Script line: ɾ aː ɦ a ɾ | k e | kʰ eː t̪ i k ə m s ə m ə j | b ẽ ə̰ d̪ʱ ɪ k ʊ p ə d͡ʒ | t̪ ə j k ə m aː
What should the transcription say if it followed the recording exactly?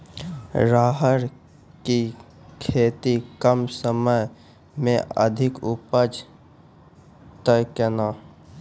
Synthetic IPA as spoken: ɾ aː ɦ ə ɾ | k i | kʰ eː t̪ i k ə m s ə m ə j | m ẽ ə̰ d̪ʱ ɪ k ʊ p ə d͡ʒ | t̪ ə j k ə n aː